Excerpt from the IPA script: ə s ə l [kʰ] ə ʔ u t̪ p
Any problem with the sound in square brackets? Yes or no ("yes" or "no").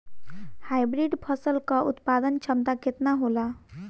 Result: yes